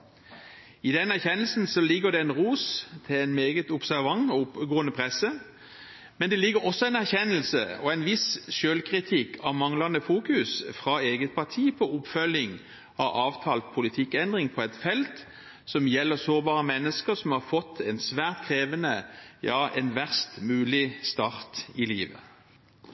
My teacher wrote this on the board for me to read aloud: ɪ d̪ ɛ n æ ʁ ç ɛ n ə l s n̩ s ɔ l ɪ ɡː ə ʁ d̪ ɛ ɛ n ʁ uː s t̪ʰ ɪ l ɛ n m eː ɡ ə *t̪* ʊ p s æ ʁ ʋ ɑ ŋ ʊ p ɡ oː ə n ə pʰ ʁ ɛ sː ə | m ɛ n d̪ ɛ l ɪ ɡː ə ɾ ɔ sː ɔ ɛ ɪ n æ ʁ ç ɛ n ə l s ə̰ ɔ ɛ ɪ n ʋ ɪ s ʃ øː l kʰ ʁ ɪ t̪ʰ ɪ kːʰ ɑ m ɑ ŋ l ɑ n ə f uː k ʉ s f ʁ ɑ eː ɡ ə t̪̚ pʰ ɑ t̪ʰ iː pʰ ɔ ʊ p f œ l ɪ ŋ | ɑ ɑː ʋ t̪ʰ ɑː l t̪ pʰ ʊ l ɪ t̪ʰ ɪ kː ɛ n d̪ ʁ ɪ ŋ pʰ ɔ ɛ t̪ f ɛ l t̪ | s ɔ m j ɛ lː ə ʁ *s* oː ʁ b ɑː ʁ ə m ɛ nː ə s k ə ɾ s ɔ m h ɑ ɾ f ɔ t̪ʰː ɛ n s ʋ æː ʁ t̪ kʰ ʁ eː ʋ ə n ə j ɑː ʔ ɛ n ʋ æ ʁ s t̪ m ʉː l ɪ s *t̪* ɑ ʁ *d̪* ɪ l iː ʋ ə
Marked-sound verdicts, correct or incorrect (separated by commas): correct, correct, correct, incorrect